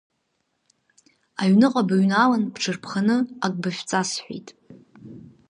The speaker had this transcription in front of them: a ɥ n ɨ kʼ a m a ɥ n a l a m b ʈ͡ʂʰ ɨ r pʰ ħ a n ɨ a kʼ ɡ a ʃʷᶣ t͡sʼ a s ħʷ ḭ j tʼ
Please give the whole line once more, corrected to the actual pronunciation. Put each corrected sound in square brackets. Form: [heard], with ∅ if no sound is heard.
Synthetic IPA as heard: a ɥ n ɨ [qʼ] a [b] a ɥ n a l a [n] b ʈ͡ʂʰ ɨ r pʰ [χ] a n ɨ a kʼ [b] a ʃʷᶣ t͡sʼ a s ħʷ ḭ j tʼ